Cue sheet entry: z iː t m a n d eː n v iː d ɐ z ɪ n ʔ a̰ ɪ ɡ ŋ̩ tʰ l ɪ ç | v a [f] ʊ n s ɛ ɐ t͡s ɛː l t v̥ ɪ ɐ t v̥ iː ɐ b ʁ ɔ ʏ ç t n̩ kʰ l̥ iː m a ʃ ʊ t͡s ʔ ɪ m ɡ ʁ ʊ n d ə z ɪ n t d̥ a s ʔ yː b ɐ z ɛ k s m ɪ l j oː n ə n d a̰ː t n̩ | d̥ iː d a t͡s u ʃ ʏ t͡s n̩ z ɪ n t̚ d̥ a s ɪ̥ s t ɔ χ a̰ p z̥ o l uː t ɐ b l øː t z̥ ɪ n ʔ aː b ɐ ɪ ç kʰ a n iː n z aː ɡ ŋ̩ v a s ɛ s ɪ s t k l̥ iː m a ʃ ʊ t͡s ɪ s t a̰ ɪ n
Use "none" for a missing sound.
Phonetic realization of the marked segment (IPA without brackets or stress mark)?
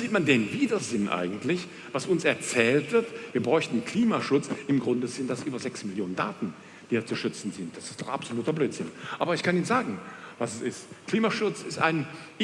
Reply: s